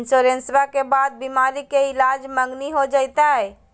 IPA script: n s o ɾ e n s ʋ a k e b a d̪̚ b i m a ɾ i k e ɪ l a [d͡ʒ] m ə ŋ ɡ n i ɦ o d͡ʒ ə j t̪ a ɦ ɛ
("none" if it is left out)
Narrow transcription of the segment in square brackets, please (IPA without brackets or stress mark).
d͡ʒ